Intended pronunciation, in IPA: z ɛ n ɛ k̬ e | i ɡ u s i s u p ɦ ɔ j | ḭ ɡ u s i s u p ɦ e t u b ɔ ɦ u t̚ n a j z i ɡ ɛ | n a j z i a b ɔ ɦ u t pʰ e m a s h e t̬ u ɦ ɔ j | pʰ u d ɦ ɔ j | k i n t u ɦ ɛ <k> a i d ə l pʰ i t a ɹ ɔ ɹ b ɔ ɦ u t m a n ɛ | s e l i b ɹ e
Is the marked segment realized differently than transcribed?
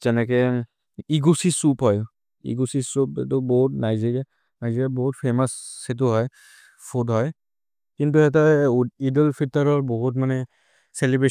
yes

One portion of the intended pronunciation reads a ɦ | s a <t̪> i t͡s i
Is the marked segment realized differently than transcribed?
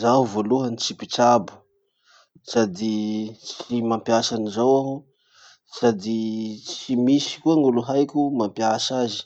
yes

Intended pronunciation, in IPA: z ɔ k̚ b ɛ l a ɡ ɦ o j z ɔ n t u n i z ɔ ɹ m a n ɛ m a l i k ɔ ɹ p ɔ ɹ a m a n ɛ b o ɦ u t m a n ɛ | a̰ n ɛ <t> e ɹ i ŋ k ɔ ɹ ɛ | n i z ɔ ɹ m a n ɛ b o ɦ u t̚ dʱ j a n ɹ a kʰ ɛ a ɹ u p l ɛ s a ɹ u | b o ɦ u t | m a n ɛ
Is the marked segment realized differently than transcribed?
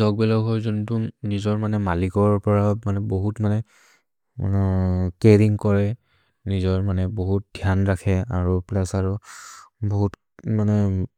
yes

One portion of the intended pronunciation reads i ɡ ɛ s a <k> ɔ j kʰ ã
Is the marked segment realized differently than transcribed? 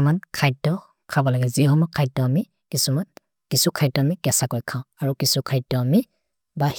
no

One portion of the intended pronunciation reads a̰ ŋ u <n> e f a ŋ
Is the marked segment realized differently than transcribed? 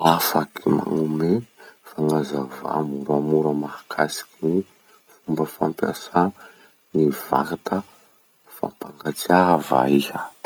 yes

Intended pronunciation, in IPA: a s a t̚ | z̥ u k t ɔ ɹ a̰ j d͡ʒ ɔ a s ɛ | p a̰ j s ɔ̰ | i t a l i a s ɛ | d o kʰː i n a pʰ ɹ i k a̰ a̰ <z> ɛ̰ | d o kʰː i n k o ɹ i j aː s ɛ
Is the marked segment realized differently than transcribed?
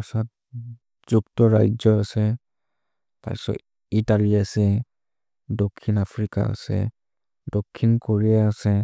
yes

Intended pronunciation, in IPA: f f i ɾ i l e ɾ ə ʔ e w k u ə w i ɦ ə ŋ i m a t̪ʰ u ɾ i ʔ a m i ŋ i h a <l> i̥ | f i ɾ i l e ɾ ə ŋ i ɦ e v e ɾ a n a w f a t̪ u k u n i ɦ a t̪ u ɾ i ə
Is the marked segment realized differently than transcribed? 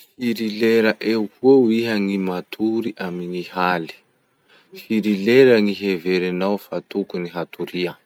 no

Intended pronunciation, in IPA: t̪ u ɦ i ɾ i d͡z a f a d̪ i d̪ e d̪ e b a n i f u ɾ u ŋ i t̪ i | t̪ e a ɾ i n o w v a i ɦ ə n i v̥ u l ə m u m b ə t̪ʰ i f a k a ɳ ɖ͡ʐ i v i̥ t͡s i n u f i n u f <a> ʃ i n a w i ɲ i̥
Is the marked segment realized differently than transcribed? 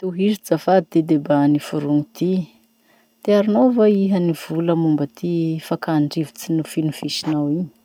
yes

